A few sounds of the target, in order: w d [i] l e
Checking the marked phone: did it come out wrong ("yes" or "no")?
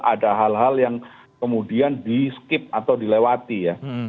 no